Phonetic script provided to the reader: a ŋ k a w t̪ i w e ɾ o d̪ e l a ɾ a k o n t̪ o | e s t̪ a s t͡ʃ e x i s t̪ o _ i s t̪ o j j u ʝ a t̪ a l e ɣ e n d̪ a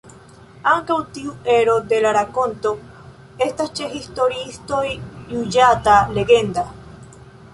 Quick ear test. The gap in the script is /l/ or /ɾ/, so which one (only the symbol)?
ɾ